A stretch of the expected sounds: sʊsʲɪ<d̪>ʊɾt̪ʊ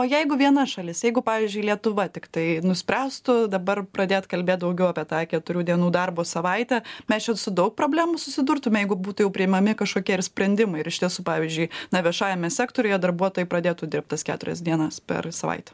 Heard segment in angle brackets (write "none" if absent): d̪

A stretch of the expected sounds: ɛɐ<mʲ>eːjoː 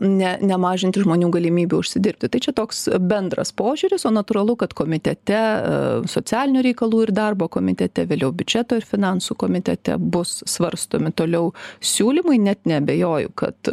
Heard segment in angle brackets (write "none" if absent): bʲ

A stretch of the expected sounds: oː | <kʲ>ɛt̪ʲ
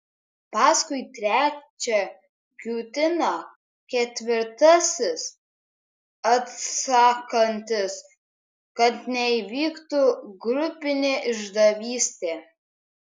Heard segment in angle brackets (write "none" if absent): kʲ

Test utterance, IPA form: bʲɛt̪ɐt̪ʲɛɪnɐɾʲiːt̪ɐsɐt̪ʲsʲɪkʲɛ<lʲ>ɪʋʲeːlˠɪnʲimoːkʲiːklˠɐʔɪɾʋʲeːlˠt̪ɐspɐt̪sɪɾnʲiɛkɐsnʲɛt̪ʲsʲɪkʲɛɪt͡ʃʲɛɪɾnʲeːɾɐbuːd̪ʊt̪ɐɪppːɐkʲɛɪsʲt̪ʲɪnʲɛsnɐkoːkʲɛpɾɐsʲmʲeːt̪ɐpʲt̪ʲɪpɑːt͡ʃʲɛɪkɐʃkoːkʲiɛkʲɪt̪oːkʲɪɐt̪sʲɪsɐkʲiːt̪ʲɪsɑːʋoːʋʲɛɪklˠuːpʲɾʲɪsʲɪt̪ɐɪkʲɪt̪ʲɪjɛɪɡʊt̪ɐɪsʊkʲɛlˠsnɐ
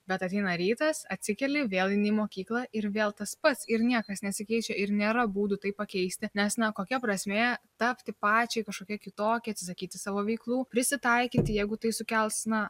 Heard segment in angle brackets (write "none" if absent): lʲ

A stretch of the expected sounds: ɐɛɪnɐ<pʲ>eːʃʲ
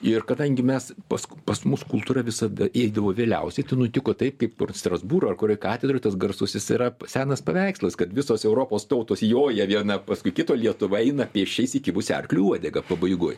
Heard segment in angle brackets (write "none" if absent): pʲ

